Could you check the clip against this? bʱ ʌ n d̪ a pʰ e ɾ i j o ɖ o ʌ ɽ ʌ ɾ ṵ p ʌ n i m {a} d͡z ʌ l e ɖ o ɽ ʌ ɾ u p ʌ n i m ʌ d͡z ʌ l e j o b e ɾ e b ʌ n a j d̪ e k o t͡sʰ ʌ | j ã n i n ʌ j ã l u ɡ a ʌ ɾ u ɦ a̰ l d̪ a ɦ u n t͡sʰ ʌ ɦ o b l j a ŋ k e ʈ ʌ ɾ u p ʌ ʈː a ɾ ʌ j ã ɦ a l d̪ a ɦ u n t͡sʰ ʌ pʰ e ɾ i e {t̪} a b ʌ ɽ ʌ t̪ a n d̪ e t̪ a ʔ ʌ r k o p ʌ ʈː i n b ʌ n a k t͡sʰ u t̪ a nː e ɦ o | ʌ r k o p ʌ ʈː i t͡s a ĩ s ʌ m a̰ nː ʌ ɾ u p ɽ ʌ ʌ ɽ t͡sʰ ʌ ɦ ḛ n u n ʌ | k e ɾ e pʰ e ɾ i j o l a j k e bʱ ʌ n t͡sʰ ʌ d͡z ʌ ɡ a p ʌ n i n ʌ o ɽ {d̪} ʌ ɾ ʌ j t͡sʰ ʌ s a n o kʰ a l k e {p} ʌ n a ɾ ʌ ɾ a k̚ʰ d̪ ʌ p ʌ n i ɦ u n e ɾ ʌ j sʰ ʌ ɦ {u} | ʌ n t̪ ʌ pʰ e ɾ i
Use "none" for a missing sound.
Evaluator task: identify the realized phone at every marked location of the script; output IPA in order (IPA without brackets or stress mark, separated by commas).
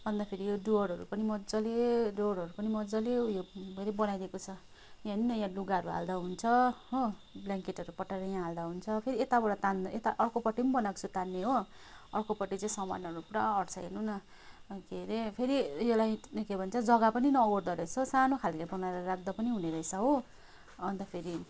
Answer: ʌ, t̪, d̪, b, o